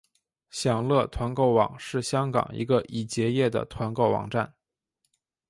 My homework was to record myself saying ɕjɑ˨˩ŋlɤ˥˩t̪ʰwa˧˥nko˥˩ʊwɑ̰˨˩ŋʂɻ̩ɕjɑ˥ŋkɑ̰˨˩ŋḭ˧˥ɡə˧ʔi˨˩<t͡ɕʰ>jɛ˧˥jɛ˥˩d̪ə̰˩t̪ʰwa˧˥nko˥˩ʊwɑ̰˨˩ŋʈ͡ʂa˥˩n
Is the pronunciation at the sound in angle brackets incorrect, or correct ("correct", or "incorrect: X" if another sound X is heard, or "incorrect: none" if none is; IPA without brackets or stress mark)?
incorrect: t͡ɕ